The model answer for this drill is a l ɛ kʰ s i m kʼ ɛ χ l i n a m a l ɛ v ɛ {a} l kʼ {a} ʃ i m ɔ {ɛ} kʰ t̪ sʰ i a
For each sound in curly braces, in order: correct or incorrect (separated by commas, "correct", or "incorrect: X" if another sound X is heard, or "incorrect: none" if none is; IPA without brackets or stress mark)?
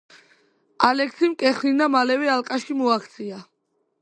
correct, correct, incorrect: a